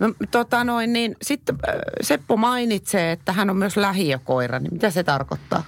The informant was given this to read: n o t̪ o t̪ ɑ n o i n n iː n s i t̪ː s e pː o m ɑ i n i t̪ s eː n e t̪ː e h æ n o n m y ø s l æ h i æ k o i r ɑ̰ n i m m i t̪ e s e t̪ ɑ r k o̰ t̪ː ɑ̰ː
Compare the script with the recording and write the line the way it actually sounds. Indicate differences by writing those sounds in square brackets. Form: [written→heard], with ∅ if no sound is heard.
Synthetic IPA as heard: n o t̪ o t̪ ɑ n o i n n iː n s i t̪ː s e pː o m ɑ i n i t̪ s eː [n→∅] e t̪ː [e→æ] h æ n o [n→m] m y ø s l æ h i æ k o i r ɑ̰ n i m m i t̪ [e→æ] s e t̪ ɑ r k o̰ t̪ː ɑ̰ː